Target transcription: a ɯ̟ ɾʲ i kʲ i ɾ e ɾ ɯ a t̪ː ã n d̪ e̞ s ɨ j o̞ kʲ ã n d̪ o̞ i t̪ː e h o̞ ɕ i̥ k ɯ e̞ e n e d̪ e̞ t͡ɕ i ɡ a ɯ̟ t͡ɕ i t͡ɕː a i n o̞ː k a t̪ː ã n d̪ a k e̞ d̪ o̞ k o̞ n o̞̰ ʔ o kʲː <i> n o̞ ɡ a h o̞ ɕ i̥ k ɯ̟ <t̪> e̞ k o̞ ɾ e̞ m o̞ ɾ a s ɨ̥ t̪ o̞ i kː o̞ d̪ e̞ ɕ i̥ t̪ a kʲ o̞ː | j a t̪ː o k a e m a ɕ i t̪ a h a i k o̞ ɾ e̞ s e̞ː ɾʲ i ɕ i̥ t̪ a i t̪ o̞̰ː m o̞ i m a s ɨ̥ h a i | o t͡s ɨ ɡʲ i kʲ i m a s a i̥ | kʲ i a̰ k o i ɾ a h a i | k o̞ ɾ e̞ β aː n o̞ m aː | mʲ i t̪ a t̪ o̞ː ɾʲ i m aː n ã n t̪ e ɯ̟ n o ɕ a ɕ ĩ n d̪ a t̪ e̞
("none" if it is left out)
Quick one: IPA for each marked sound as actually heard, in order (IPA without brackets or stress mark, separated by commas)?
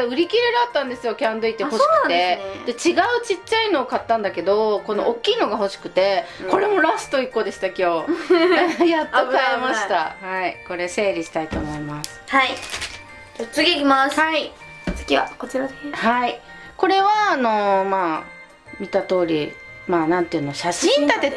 iː, t̪